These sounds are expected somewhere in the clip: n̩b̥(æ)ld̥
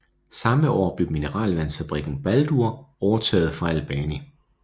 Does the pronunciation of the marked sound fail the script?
no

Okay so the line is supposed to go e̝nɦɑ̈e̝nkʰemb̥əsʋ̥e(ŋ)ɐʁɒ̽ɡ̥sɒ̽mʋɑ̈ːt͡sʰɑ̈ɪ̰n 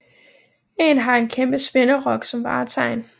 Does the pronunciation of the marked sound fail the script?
yes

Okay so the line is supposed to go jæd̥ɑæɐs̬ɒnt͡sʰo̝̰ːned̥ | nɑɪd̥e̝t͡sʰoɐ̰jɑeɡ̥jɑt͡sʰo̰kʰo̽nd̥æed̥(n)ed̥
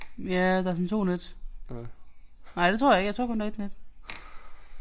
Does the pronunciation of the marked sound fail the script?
no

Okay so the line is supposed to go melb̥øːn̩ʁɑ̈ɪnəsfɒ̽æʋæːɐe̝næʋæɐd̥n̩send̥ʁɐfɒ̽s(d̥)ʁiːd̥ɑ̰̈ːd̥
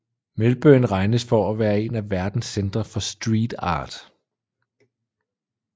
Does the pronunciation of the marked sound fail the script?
no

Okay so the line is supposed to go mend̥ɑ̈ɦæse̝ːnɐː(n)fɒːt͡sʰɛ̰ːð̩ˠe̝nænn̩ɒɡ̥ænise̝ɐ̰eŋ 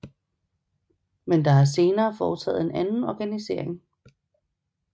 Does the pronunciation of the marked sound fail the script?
yes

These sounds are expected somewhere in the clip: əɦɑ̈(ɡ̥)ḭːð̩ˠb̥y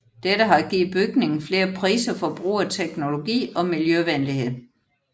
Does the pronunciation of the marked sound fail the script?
no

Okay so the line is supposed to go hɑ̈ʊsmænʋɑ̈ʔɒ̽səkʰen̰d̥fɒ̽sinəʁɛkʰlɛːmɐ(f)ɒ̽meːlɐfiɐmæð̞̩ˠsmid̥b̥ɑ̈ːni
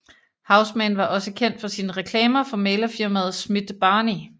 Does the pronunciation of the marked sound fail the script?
no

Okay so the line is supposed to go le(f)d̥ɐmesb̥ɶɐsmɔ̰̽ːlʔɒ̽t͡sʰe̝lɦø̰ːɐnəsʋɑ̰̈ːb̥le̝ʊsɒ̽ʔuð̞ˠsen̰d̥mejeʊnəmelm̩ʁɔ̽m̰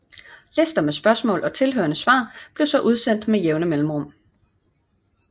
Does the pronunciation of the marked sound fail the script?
yes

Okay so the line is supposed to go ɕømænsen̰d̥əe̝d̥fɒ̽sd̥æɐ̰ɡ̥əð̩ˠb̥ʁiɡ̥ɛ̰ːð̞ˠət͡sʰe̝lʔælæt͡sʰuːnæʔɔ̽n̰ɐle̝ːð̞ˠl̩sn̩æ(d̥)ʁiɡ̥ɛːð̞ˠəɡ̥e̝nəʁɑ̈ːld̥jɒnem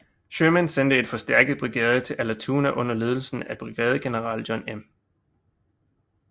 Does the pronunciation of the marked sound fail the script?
yes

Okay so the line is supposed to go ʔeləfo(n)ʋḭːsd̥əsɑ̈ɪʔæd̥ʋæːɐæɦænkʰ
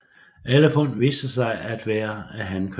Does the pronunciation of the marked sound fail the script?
no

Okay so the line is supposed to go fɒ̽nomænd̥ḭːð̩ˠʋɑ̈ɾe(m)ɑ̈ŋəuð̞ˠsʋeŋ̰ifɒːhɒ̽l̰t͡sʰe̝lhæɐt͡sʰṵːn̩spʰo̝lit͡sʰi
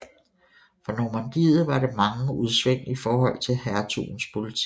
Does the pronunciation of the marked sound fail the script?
no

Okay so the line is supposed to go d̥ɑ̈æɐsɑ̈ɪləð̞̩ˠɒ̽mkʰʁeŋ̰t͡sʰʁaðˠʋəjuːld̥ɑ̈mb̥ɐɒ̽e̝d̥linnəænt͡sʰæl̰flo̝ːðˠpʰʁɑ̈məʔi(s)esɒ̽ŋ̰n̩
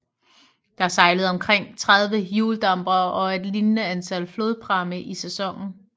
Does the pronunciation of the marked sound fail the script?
no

